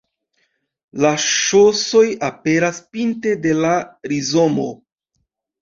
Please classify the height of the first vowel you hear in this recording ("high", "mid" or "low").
low